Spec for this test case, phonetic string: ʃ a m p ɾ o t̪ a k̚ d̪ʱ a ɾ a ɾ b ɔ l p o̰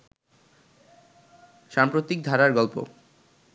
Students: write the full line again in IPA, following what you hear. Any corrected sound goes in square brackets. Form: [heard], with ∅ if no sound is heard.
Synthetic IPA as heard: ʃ a m p ɾ o t̪ [i] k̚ d̪ʱ a ɾ a ɾ [ɡ] ɔ l p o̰